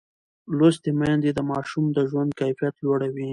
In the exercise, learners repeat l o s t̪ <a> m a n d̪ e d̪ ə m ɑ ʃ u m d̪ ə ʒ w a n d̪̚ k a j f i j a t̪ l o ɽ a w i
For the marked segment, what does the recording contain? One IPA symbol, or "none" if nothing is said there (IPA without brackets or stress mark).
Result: e